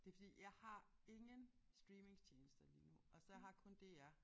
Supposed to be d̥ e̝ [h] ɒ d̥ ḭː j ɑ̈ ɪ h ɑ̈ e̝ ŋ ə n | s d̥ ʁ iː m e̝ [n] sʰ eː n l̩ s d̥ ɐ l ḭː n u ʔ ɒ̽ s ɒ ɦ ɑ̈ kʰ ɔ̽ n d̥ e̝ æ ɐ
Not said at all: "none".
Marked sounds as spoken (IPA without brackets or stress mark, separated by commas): f, ŋ